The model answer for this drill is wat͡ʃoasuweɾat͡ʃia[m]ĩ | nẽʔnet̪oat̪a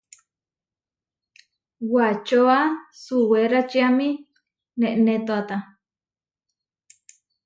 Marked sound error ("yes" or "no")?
no